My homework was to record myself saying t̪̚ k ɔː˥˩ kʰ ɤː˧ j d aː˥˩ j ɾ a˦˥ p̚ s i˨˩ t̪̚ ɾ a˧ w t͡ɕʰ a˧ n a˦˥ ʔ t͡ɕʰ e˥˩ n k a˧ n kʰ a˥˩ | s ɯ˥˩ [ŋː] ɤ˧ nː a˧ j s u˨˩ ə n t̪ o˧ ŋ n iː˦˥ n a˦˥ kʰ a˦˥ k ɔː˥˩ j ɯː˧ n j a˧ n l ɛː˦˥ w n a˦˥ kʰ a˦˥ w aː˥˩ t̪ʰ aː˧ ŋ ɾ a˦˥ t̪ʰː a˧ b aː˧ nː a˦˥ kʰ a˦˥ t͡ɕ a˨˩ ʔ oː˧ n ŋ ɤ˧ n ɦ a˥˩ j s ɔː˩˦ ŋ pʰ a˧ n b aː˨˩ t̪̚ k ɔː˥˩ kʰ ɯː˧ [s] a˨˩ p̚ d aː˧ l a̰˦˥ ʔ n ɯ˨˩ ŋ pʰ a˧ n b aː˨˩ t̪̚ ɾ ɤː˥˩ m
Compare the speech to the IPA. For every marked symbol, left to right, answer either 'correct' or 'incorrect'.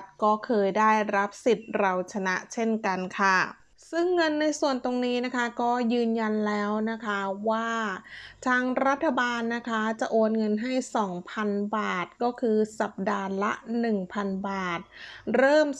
correct, correct

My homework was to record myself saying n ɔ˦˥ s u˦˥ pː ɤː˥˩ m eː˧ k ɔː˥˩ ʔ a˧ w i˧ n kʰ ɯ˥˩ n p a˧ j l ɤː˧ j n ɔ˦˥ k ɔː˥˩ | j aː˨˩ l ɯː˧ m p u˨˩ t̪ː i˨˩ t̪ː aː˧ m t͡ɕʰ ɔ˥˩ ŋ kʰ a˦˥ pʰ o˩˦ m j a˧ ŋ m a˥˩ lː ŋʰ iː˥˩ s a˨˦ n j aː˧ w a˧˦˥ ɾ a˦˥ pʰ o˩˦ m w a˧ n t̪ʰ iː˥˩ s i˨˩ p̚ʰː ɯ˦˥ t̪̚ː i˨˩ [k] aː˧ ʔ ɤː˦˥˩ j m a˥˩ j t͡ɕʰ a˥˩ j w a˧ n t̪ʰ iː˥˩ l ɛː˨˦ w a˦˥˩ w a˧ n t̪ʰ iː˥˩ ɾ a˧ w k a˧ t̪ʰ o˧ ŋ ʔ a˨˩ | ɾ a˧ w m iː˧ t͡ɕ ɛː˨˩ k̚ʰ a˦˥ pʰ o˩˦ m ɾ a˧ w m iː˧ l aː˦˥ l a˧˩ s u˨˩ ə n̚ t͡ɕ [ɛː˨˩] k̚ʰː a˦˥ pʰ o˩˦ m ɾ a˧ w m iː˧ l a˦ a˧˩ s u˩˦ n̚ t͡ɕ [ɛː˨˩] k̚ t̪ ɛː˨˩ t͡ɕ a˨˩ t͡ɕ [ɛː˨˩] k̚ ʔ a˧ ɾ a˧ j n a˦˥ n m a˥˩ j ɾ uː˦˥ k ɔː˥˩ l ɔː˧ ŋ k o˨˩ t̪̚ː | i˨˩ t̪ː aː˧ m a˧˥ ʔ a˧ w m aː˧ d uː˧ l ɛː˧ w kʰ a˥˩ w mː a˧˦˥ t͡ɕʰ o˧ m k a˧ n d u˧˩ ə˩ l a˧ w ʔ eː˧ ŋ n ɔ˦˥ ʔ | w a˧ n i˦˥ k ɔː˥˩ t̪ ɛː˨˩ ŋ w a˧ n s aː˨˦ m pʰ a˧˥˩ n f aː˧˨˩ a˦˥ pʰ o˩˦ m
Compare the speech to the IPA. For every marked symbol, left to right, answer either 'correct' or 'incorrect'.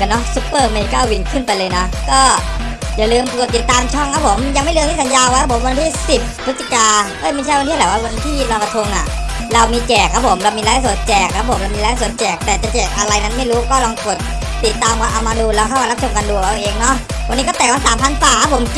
correct, correct, correct, correct

